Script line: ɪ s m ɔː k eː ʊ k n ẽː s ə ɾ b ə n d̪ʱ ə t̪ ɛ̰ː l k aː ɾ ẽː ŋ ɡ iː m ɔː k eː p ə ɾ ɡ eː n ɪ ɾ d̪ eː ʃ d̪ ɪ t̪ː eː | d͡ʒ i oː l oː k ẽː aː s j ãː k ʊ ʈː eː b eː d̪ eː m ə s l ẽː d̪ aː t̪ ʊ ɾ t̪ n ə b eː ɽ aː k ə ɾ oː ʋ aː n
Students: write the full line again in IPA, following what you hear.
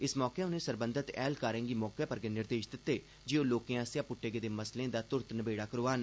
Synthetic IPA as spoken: ɪ s m ɔː k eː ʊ n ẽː s ə ɾ b ə n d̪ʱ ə t̪ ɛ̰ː l k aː ɾ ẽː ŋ ɡ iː m ɔː k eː p ə ɾ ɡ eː n ɪ ɾ d̪ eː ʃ d̪ ɪ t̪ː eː | d͡ʒ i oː l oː k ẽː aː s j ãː p ʊ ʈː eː ɡ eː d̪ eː m ə s l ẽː d̪ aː t̪ ʊ ɾ t̪ n ə b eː ɽ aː k ə ɾ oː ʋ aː n